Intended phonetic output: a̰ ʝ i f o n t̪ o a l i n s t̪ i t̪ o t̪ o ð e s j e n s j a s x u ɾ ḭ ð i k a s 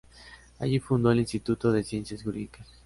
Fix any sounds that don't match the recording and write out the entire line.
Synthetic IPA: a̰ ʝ i f u n d̪ o e l i n s t̪ i t̪ u t̪ o ð e s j e n s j a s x u ɾ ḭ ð i k a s